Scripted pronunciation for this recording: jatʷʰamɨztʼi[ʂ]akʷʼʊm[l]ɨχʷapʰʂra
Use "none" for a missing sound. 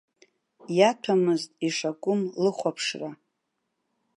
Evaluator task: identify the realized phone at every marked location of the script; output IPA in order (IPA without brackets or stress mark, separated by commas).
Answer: ʂ, l